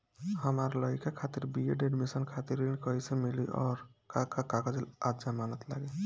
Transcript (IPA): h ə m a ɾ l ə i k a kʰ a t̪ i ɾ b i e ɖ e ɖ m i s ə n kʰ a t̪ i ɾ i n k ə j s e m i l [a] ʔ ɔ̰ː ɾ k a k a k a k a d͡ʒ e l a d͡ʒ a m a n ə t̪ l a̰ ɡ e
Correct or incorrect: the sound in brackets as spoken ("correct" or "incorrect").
incorrect